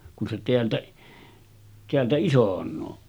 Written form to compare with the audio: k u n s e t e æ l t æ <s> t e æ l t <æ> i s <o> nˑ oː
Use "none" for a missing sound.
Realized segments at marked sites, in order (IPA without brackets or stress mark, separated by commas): none, æ, o